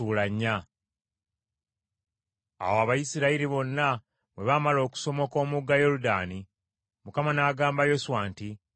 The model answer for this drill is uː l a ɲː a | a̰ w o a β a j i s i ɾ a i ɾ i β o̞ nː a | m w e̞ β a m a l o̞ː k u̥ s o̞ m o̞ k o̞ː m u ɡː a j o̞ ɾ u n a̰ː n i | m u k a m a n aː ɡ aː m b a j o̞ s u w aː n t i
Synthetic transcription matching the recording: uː l a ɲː a | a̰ w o a β a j i s i ɾ a i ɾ i β o̞ nː a | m w e̞ β a m a l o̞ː k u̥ s o̞ m o̞ k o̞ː m u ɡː a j o̞ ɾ u d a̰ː n i | m u k a m a n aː ɡ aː m b a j o̞ s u w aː n t i